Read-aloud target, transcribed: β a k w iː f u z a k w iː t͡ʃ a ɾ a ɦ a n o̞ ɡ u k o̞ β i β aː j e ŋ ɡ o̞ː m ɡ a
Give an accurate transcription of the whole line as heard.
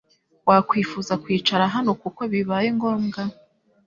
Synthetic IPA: w a k w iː f u z a k w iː t͡ʃ a ɾ a ɦ a n o̞ k u k o̞ β i β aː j e ŋ ɡ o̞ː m ɡ a

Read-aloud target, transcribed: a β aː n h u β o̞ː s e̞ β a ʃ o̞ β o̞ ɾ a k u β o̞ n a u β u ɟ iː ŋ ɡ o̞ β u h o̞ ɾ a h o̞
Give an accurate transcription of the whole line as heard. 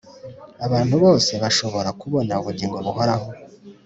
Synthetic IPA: a β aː n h u β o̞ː s e̞ β a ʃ o̞ β o̞ ɾ a k u β o̞ n a u β u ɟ iː ŋ ɡ o̞ β u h o̞ ɾ a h o̞

